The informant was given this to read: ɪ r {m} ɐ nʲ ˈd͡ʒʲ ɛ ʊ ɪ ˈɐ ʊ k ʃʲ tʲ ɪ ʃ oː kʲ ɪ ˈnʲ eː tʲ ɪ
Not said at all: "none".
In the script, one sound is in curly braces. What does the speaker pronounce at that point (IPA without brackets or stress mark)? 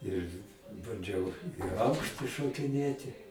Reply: b